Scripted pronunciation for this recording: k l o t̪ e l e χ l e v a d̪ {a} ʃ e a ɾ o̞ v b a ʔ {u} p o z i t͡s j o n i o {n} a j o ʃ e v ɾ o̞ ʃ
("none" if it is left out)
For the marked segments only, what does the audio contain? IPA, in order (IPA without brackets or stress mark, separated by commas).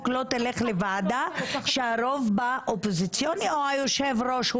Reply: a, o, none